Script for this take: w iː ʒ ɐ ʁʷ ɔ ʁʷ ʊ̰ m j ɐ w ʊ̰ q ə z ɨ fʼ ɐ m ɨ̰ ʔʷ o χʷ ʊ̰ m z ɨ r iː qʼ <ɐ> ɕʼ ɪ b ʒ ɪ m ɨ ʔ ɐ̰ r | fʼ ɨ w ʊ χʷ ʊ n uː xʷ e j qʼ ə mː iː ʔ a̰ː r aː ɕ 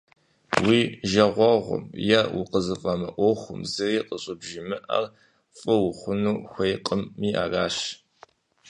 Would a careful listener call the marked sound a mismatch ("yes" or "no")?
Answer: yes